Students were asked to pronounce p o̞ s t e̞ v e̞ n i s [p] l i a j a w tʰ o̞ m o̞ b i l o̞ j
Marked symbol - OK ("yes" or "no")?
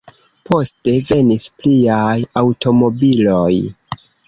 yes